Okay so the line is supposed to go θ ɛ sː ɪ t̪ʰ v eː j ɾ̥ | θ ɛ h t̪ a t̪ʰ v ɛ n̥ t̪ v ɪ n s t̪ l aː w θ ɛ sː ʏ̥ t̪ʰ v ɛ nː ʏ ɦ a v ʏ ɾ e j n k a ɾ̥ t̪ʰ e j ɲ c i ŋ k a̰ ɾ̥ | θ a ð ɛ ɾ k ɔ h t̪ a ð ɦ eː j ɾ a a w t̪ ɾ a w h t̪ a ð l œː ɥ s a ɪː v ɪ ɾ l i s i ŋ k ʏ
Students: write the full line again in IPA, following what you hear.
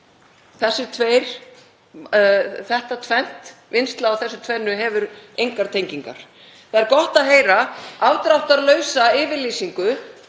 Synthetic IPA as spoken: θ ɛ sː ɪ t̪ʰ v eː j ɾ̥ | θ ɛ h t̪ a t̪ʰ v ɛ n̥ t̪ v ɪ n s t̪ l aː w θ ɛ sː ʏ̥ t̪ʰ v ɛ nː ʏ ɦ ɛ v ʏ ɾ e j ŋ k a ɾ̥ t̪ʰ e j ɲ c i ŋ k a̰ ɾ̥ | θ a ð ɛ ɾ k ɔ h t̪ a ð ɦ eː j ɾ a a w t̪ ɾ a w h t̪ a ð l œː ɥ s a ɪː v ɪ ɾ l i s i ŋ k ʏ